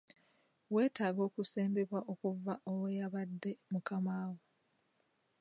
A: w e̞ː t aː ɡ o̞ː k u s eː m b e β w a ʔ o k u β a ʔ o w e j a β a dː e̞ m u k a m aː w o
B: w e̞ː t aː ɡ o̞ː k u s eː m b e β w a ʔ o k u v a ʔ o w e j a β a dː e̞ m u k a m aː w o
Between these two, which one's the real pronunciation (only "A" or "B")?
B